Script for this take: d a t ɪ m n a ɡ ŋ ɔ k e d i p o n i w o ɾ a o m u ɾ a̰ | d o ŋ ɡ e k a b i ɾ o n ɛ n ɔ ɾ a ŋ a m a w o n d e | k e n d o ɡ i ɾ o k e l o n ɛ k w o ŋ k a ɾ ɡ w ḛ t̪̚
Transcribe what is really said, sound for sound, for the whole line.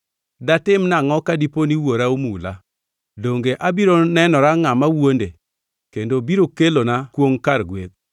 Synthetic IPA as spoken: d a t ɪ m n a ŋ ɔ k a d i p o n i w o ɾ a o m u l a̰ | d o ŋ ɡ e ʔ a b i ɾ o n ɛ n ɔ ɾ a ŋ a m a w o n d e | k e n d o b i ɾ o k e l o n a k w o ŋ k a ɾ ɡ w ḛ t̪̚